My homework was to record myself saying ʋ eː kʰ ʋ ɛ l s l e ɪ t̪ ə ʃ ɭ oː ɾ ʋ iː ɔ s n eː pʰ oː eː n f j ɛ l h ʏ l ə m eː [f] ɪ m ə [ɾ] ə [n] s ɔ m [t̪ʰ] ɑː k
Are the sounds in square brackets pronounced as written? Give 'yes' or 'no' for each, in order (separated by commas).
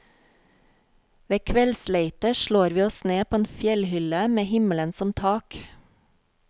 no, no, yes, yes